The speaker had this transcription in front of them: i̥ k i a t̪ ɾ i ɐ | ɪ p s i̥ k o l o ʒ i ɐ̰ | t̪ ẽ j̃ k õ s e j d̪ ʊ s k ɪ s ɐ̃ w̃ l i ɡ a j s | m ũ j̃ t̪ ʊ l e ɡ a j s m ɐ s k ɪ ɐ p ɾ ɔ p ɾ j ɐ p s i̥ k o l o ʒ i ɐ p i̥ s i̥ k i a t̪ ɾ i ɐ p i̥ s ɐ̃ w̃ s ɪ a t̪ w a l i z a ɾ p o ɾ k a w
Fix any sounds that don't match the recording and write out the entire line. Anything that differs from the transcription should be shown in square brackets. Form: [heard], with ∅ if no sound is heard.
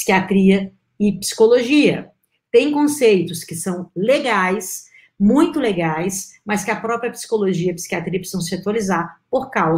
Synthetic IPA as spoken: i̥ k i a t̪ ɾ i ɐ | ɪ p s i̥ k o l o ʒ i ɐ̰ | t̪ ẽ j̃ k õ s e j [t̪] ʊ s k ɪ s ɐ̃ w̃ l [e] ɡ a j s | m ũ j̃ t̪ ʊ l e ɡ a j s m ɐ s k ɪ ɐ p ɾ ɔ p ɾ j ɐ p s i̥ k o l o ʒ i ɐ p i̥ s i̥ k i a t̪ ɾ i ɐ p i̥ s ɐ̃ w̃ s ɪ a t̪ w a l i z a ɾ p o ɾ k a w